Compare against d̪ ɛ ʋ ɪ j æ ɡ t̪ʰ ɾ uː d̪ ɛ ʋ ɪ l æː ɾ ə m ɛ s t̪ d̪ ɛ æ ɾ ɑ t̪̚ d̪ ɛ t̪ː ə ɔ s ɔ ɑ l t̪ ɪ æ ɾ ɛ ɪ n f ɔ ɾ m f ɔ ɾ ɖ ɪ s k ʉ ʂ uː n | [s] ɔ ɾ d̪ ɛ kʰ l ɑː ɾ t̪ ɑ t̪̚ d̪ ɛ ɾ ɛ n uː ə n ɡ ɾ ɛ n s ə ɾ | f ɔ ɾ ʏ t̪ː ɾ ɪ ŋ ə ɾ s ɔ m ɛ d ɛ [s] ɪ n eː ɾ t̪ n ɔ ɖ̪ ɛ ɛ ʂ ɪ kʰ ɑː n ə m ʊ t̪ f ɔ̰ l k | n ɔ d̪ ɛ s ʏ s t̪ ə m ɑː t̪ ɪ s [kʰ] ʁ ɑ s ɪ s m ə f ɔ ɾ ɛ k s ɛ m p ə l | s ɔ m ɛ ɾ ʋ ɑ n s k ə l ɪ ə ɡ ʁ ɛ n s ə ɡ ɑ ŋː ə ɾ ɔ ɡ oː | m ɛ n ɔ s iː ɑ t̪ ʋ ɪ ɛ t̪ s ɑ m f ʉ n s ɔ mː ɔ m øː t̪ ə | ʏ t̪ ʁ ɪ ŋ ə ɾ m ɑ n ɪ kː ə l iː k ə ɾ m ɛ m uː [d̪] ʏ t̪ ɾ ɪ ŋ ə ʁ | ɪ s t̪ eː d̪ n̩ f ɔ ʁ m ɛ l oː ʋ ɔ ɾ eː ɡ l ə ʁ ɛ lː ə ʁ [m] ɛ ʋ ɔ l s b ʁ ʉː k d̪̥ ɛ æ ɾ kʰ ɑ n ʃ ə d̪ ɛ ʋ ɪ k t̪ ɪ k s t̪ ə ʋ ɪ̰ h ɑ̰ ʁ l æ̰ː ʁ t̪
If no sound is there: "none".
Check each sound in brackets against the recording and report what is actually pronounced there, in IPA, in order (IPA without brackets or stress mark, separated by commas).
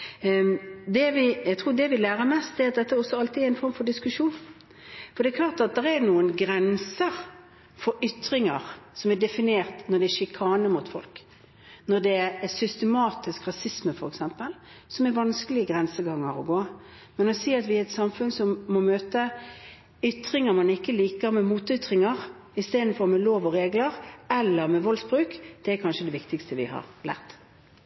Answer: f, f, k, t̪, m